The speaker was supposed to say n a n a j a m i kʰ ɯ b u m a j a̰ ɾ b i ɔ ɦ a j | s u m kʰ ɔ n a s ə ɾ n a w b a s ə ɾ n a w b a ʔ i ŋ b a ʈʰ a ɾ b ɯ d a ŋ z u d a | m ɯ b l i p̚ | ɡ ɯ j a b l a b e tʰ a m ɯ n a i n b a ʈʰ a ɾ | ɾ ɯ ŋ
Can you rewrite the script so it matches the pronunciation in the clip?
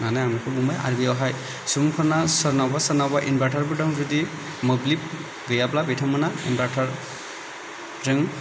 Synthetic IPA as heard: n a n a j a m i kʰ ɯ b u m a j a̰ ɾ b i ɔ ɦ a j | s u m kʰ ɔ n a s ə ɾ n a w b a s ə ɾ n a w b a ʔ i n b a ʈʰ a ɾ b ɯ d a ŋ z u d i | m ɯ b l i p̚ | ɡ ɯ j a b l a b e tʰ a m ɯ n a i n b a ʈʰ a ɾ | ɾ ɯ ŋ